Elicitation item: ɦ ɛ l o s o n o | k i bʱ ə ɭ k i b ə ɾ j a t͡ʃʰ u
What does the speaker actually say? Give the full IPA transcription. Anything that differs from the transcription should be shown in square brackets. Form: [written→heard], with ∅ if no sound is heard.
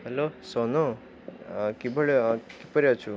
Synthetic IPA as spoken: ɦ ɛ l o s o n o | k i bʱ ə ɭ k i [b→p] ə ɾ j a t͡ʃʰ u